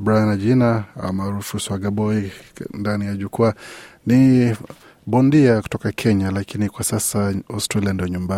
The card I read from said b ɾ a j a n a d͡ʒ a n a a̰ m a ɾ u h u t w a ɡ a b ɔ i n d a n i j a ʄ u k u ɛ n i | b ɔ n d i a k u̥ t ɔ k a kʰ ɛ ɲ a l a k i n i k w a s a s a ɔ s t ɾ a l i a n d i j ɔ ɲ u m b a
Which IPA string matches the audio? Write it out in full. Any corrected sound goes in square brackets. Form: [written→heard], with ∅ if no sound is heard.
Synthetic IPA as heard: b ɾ a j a n a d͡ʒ [a→i] n a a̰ m a ɾ u [h→f] u [t→s] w a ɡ a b ɔ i n d a n i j a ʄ u k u [ɛ→a] n i | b ɔ n d i a k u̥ t ɔ k a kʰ ɛ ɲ a l a k i n i k w a s a s a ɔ s t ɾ a l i a n d i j ɔ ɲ u m b a